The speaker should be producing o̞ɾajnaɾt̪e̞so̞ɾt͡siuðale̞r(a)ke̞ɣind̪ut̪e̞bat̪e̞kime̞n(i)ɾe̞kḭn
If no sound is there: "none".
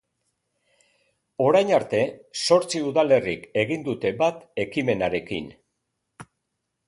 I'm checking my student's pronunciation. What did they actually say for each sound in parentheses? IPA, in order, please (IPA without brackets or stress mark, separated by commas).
i, a